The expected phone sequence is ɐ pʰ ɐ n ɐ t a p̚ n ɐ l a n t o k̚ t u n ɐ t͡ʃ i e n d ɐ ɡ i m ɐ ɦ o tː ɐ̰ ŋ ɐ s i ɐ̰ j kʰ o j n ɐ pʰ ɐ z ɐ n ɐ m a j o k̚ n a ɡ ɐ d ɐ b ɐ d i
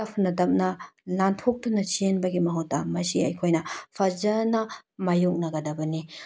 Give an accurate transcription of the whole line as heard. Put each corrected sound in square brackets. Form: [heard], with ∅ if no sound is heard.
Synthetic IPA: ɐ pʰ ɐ n ɐ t [ɐ] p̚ n ɐ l a n [tʰ] o k̚ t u n ɐ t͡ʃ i e n [b] ɐ ɡ i m ɐ ɦ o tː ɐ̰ [m] ɐ s i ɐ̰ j kʰ o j n ɐ pʰ ɐ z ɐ n ɐ m a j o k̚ n [ɐ] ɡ ɐ d ɐ b ɐ [n] i